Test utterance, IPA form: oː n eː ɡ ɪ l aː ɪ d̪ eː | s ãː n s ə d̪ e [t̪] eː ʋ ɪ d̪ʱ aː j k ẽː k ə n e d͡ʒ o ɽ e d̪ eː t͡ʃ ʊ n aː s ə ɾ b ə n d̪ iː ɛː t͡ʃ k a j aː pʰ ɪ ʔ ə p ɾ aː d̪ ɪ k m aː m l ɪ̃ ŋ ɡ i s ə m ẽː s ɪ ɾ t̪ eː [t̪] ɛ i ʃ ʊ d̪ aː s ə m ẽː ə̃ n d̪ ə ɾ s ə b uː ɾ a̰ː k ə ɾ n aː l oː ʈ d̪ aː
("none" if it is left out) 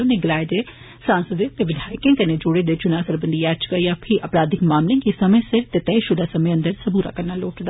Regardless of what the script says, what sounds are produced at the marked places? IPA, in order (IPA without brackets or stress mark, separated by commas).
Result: t̪, t̪